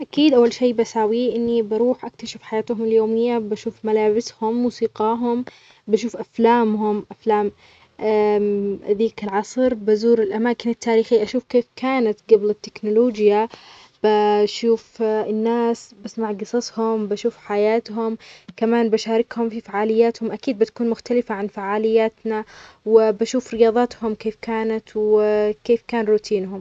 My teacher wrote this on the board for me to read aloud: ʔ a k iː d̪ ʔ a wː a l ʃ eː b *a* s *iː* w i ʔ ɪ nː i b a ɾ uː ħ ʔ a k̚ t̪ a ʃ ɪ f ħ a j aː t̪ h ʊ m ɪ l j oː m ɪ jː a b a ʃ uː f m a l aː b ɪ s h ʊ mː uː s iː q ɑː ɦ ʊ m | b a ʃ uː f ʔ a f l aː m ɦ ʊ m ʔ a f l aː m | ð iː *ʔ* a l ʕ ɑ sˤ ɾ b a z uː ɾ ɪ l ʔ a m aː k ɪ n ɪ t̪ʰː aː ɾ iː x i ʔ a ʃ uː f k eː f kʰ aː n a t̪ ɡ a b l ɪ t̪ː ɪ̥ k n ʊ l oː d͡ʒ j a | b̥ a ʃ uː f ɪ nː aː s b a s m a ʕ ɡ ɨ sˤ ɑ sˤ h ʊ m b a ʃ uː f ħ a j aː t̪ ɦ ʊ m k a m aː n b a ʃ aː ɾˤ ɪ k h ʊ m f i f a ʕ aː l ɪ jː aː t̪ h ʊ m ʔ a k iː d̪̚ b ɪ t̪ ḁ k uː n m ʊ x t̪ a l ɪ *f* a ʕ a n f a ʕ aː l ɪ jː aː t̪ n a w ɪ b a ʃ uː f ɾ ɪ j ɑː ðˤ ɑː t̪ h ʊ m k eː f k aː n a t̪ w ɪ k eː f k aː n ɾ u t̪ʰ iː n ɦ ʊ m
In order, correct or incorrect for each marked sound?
correct, incorrect, incorrect, correct

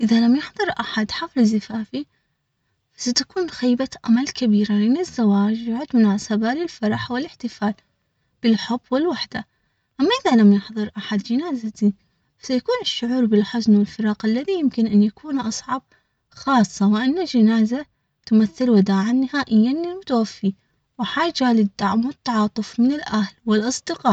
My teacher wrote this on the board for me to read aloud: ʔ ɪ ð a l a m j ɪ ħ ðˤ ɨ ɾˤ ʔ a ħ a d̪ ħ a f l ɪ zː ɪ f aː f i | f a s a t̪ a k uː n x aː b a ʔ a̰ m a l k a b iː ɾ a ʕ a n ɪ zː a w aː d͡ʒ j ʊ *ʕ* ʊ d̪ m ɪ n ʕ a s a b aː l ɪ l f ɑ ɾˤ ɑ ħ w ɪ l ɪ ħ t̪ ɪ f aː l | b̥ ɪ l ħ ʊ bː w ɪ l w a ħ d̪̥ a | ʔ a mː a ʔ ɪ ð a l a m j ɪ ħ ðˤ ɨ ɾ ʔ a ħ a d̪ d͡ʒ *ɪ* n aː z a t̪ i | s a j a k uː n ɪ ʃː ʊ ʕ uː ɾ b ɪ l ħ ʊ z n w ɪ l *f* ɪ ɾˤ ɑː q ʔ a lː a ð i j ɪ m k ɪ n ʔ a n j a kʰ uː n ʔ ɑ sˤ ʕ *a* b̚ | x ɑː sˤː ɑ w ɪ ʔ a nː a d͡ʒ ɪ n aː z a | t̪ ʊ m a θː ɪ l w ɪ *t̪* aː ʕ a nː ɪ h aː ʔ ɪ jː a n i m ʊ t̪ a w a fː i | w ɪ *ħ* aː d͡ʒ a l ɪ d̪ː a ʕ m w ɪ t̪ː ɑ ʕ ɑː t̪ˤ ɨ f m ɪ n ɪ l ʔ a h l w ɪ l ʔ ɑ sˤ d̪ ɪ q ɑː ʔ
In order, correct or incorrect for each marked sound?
correct, correct, correct, incorrect, incorrect, correct

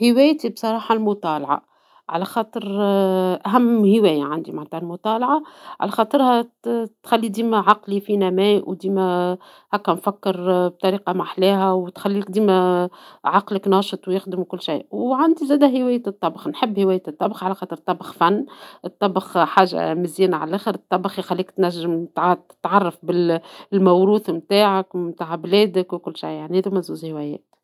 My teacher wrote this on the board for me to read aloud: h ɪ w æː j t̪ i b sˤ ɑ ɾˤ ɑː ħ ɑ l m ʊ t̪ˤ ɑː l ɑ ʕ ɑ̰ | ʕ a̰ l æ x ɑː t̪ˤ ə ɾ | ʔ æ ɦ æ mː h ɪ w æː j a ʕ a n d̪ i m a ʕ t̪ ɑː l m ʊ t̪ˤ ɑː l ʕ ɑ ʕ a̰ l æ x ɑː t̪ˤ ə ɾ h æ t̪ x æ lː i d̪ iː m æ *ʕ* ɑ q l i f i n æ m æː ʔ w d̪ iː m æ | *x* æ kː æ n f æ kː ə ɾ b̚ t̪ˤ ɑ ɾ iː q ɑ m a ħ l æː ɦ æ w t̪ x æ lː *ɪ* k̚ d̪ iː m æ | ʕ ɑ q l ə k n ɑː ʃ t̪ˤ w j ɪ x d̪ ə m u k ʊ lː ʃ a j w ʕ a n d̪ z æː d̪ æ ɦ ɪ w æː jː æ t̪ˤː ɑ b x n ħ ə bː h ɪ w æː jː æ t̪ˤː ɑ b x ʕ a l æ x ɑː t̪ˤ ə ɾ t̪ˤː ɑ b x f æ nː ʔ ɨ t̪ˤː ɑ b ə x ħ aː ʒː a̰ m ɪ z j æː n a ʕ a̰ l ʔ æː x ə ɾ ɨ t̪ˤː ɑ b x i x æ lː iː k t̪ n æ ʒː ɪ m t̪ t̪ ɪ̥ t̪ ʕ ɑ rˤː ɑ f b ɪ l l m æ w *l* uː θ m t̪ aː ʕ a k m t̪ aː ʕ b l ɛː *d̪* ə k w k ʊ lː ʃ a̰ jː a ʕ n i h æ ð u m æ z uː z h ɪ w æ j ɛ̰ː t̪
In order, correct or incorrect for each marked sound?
correct, incorrect, incorrect, incorrect, correct

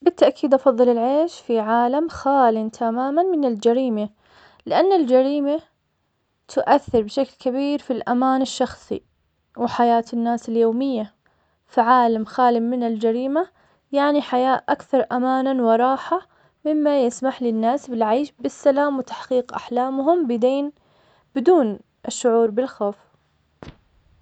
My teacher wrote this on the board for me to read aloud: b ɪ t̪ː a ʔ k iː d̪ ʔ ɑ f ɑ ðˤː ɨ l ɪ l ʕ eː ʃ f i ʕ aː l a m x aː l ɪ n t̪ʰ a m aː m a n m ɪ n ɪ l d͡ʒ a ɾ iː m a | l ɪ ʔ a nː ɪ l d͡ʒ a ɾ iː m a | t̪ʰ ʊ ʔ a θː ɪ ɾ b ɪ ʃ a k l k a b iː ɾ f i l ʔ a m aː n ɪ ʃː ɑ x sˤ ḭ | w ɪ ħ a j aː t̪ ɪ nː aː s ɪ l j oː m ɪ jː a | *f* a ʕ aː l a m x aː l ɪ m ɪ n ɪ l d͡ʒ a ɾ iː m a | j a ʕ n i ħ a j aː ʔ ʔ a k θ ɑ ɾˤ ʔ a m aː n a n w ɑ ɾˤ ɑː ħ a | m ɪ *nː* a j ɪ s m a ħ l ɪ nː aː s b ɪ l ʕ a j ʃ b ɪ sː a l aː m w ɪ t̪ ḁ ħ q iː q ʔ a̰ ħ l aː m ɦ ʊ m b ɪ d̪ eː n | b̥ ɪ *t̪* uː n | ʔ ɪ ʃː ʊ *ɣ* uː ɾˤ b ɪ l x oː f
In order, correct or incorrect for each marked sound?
correct, incorrect, incorrect, incorrect

